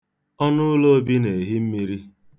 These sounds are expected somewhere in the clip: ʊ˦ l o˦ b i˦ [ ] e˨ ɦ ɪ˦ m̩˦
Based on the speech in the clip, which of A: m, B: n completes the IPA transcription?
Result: B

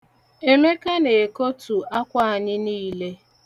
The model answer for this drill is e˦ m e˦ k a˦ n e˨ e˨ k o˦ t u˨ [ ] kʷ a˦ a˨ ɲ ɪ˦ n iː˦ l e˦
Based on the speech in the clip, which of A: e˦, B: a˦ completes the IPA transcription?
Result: B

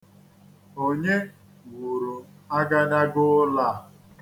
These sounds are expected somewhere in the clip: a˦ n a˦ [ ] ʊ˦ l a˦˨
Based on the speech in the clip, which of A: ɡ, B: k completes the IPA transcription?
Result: A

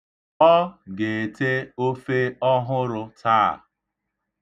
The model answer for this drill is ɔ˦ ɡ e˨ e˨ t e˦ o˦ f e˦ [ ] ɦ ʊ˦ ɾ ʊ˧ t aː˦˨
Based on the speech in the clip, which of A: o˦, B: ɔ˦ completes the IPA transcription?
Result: B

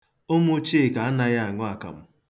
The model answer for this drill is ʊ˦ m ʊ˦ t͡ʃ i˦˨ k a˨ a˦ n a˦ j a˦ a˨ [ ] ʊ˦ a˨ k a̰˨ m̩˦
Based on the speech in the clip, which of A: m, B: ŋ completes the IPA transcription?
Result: B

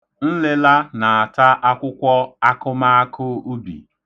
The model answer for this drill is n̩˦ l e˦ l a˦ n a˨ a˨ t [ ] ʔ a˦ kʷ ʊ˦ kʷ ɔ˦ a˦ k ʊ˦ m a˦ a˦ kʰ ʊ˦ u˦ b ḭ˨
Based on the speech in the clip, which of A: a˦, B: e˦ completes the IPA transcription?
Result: A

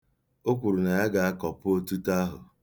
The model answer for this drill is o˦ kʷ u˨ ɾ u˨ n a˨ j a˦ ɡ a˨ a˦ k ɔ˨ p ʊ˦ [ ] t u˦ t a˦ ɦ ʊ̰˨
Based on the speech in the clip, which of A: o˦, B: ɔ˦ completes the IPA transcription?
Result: A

